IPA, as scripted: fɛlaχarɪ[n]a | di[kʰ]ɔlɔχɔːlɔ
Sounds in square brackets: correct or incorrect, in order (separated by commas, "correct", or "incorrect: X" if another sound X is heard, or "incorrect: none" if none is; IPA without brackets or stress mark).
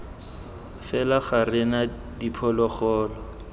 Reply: correct, incorrect: pʰ